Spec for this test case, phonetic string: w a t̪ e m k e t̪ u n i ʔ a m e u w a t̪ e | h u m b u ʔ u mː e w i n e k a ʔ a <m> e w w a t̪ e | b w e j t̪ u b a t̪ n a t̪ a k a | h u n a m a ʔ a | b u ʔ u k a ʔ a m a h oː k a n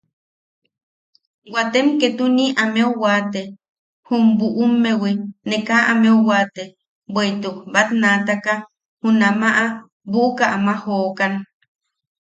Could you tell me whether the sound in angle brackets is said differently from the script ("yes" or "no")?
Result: no